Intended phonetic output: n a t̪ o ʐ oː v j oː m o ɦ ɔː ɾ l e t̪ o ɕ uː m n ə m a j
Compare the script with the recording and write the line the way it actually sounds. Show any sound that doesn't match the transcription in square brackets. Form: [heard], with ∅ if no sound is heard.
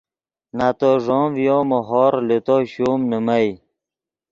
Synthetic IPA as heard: n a t̪ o ʐ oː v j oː m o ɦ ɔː ɾ l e t̪ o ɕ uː m n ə m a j